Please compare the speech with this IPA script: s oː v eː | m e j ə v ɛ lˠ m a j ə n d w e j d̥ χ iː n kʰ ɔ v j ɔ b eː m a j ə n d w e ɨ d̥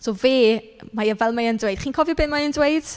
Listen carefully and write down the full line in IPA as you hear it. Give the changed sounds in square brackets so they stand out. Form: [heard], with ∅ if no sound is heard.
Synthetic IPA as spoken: s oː v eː | m [a] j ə v ɛ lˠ m a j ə n d w e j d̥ χ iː n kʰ ɔ v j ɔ b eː m a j ə n d w e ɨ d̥